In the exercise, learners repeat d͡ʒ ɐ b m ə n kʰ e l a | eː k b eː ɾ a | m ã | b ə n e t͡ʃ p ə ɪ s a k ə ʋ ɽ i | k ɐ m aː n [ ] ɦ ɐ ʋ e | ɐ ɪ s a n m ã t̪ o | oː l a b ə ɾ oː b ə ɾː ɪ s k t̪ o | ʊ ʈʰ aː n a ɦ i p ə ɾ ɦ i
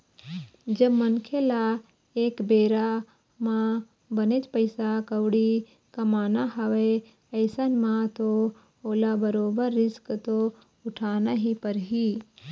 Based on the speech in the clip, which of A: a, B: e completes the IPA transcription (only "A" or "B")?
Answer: A